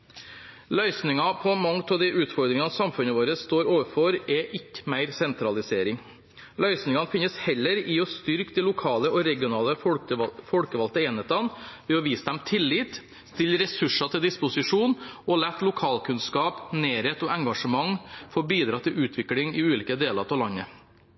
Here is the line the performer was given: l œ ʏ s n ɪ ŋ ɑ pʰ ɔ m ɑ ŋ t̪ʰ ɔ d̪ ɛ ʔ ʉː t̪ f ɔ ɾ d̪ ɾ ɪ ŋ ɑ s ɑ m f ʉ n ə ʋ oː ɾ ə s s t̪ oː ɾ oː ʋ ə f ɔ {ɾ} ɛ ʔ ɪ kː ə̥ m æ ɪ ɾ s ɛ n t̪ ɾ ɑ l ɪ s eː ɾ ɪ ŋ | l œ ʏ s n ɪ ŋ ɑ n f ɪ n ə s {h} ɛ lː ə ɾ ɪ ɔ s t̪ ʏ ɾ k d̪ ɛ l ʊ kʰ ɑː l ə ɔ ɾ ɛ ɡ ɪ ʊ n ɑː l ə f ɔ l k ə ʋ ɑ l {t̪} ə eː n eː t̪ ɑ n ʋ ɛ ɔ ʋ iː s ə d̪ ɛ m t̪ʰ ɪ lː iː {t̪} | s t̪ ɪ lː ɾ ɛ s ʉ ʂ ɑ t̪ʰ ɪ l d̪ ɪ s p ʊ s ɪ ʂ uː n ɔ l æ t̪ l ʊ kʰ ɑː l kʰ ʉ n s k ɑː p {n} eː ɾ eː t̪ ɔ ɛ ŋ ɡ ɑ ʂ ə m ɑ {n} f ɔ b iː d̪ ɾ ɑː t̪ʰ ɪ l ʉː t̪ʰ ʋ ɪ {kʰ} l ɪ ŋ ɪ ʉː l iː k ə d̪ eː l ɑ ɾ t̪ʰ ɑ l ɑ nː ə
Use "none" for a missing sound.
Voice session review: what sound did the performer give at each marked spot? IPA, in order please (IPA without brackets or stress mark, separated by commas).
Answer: ɾ, h, t̪, t̪, n, ŋ, k